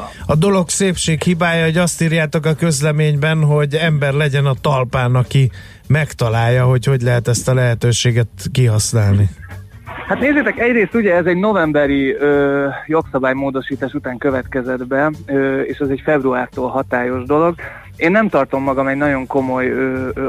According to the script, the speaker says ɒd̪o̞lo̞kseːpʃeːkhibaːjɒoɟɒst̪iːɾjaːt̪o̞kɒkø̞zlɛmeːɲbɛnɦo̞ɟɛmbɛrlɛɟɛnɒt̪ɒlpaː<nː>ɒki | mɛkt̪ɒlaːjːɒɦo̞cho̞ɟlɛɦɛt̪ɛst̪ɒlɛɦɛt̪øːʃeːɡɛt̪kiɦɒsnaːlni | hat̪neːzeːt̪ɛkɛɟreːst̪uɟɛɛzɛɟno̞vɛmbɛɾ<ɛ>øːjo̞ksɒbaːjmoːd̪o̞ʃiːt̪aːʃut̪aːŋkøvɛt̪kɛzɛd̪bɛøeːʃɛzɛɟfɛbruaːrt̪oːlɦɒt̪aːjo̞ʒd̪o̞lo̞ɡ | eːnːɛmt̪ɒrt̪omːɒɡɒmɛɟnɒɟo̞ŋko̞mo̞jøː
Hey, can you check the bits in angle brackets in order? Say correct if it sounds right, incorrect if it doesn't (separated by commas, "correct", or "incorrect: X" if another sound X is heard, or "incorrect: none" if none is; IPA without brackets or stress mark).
incorrect: n, incorrect: i